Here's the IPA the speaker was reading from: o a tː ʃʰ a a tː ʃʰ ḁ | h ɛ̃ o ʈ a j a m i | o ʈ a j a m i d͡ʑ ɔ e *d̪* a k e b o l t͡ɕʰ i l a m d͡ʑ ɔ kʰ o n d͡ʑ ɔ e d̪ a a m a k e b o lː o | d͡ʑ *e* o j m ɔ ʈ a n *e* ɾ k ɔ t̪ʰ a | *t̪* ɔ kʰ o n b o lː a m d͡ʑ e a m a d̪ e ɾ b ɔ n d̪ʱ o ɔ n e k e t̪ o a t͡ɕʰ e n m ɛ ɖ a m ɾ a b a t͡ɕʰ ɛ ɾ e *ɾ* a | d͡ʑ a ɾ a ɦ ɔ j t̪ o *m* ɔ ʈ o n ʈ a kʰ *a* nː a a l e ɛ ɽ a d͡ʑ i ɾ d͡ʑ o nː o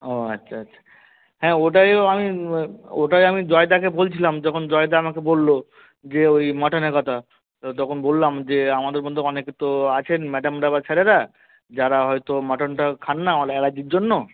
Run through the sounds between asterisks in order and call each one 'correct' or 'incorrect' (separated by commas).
correct, correct, correct, correct, correct, correct, correct